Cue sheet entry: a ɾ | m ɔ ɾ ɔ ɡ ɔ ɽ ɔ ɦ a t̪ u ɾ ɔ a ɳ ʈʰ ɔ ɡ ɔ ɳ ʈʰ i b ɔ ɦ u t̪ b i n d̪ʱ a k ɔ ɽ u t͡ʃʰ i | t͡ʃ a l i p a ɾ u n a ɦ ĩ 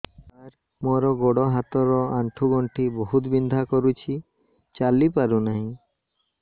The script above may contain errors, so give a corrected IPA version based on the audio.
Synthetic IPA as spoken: a ɾ | m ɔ ɾ ɔ ɡ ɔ ɽ ɔ ɦ a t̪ ɔ ɾ ɔ a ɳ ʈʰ u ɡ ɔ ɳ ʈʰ i b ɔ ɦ u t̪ b i n d̪ʱ a k ɔ ɾ u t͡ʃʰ i | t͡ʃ a l i p a ɾ u n a ɦ ĩ